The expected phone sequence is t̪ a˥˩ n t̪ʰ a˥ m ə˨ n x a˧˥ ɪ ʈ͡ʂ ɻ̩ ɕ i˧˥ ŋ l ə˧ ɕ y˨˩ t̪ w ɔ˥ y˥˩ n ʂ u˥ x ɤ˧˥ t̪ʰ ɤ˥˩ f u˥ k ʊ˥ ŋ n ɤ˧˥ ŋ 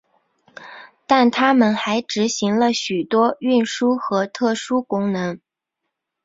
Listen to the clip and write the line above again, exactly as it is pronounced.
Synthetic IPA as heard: t̪ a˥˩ n t̪ʰ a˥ m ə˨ n x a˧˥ ɪ ʈ͡ʂ ɻ̩ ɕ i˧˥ ŋ l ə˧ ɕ y˨˩ t̪ w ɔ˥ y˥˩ n ʂ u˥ x ɤ˧˥ t̪ʰ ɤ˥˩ ʂ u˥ k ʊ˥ ŋ n ɤ˧˥ ŋ